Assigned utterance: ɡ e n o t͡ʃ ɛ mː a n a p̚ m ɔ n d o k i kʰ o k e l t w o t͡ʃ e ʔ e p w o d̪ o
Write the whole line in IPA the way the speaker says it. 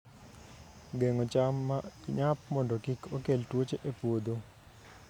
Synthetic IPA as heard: ɡ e ŋ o t͡ʃ a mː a ɲ a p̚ m ɔ n d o k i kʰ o k e l t w o t͡ʃ e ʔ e p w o d̪ o